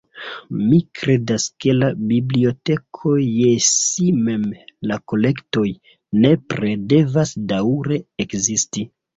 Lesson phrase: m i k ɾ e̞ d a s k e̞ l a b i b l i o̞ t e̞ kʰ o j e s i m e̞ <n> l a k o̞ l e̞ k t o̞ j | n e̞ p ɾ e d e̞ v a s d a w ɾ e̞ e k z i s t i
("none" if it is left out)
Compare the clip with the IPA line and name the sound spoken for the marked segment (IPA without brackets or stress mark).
m